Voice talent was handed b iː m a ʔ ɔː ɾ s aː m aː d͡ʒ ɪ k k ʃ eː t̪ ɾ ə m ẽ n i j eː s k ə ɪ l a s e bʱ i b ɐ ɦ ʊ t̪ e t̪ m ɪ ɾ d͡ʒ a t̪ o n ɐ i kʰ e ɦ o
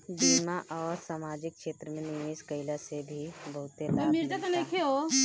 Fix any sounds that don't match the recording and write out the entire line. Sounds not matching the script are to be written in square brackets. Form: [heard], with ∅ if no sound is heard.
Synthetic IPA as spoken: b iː m a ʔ ɔː ɾ s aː m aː d͡ʒ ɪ k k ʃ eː t̪ ɾ ə m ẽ n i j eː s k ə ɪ l a s e bʱ i b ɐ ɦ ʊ t̪ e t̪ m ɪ ɾ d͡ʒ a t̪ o n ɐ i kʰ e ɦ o